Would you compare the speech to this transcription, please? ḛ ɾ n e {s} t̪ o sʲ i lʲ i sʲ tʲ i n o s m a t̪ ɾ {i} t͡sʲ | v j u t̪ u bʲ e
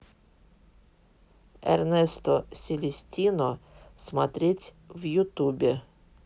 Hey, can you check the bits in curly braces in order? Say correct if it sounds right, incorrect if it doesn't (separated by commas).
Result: correct, correct